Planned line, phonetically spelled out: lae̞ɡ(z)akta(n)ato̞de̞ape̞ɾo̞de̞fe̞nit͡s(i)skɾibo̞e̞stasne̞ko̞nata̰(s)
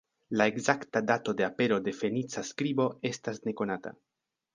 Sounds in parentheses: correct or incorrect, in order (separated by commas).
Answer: correct, incorrect, incorrect, incorrect